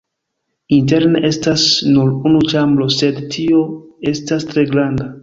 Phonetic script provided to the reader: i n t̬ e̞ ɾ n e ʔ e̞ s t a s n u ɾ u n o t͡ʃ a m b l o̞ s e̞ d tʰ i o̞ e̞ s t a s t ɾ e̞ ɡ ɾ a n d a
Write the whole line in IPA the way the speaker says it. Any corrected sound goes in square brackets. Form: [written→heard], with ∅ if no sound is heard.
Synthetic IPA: i n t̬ e̞ ɾ n e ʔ e̞ s t a s n u ɾ u n [o→u] t͡ʃ a m b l o̞ s e̞ d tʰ i o̞ e̞ s t a s t ɾ e̞ ɡ ɾ a n d a